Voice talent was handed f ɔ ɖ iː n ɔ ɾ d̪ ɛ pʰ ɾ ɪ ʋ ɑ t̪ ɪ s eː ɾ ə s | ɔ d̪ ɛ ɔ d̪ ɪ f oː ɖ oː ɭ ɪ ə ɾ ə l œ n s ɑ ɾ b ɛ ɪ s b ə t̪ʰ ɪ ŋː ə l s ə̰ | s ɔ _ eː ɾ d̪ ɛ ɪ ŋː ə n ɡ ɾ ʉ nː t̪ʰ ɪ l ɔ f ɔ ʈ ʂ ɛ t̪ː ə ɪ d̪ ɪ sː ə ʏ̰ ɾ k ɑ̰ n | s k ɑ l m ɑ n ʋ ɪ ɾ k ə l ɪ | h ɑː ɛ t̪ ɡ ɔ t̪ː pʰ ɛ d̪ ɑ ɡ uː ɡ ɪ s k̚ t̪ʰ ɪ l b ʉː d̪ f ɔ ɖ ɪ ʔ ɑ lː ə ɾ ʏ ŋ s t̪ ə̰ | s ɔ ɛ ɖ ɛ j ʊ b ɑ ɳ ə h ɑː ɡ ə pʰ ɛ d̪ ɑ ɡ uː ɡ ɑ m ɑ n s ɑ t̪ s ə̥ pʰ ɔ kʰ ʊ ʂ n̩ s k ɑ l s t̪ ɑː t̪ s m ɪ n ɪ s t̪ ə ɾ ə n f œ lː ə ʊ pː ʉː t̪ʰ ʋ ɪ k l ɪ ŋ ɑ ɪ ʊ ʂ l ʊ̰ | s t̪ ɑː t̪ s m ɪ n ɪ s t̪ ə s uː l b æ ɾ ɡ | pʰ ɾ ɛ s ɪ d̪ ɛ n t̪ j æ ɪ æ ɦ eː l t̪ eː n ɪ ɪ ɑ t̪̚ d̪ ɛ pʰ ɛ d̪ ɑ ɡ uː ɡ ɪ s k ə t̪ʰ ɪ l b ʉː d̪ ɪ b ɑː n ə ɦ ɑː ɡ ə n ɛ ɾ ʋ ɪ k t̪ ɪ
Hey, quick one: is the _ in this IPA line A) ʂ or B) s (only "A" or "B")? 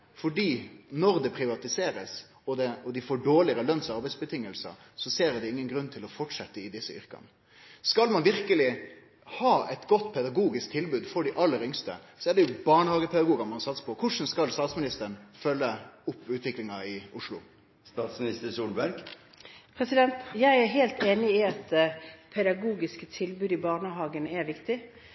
B